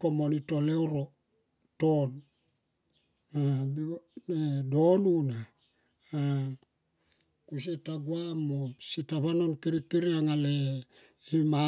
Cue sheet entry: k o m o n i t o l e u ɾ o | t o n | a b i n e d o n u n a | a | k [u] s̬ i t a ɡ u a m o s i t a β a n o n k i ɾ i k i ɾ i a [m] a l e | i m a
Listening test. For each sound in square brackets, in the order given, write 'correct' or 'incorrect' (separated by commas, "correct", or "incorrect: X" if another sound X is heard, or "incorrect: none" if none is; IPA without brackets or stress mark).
correct, incorrect: ŋ